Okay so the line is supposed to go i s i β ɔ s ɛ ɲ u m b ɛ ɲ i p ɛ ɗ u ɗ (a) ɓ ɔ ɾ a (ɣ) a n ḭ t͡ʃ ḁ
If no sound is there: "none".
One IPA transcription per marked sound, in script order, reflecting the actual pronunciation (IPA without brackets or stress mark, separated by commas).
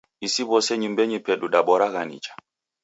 a, ɣ